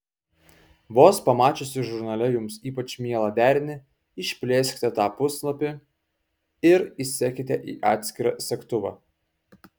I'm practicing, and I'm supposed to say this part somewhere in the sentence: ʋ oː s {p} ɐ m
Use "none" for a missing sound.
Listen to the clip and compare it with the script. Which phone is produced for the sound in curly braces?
p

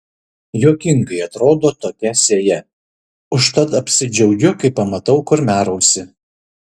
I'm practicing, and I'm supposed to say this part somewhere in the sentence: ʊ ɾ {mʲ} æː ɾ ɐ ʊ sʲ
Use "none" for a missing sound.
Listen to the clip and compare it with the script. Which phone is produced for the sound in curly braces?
mʲ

